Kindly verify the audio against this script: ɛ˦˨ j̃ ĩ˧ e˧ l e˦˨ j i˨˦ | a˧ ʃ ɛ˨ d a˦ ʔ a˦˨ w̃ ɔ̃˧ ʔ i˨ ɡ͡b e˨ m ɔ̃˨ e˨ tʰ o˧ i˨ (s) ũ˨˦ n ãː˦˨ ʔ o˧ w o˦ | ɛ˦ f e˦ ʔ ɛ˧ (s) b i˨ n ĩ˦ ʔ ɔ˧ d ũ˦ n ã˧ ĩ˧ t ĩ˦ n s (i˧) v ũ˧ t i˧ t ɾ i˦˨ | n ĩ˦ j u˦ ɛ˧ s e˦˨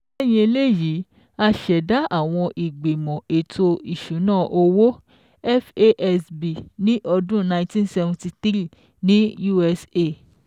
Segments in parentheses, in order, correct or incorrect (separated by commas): incorrect, correct, incorrect